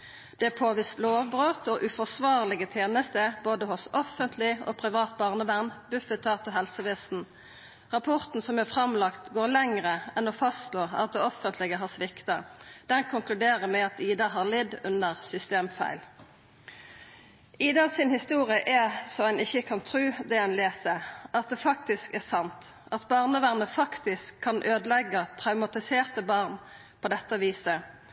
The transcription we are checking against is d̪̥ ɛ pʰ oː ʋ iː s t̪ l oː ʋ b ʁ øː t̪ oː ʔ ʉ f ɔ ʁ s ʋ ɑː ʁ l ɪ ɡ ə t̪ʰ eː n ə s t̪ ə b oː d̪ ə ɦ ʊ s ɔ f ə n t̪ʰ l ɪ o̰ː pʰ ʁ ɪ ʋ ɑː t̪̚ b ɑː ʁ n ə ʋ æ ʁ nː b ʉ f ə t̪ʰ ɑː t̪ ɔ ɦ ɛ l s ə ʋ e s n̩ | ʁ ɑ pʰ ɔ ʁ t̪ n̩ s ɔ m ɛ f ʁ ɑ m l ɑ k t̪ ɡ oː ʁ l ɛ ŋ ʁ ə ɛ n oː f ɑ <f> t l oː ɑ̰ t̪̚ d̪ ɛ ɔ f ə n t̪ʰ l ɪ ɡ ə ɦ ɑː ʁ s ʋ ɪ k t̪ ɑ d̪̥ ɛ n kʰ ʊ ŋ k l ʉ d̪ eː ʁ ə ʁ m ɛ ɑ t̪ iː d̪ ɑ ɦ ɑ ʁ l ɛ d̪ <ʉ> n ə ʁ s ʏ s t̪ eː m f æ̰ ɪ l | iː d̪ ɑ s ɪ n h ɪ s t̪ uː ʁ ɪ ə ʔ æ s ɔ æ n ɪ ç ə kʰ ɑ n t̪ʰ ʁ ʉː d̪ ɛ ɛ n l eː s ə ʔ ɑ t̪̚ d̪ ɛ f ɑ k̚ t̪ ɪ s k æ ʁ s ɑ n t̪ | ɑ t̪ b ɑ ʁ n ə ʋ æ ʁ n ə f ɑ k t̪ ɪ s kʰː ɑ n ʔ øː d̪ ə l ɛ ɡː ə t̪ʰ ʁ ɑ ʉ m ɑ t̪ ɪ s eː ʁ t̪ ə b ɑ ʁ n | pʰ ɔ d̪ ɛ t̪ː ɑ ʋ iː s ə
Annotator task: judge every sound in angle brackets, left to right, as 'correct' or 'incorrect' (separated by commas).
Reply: incorrect, correct